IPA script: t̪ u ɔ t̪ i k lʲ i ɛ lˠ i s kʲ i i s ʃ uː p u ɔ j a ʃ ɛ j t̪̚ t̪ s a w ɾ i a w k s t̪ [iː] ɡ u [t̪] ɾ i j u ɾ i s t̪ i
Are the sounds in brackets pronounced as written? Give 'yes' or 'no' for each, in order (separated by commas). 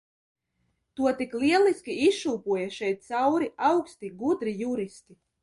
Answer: no, no